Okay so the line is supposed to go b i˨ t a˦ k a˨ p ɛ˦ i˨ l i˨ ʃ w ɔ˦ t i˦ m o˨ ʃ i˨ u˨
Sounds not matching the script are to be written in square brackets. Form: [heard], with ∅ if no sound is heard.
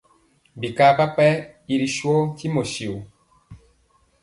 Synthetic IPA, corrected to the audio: b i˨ [k] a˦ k [a˦] p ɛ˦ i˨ [ɾ] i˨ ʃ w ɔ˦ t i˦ m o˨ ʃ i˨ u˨